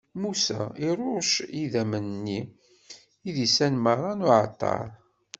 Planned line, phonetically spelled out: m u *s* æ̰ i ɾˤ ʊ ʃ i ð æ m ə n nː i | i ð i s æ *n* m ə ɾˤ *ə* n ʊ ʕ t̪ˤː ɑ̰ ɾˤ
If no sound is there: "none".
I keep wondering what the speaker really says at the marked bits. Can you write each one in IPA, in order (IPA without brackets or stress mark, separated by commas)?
s, n, ɑ